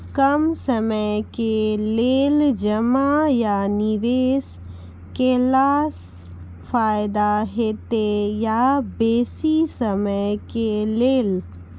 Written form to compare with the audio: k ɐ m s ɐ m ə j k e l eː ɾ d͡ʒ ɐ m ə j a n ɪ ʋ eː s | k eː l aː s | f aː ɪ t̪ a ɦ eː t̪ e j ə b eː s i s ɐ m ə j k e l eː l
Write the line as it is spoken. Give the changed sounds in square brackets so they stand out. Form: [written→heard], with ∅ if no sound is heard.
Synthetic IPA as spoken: k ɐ m s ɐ m ə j k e l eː [ɾ→l] d͡ʒ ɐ m [ə→a] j a n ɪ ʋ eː s | k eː l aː s | f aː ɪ [t̪→d̪] a ɦ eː t̪ e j [ə→a] b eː s i s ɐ m ə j k e l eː l